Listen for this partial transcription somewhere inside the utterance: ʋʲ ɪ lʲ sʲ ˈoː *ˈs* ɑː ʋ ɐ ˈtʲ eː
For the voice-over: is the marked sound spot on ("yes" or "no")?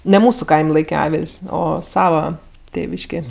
yes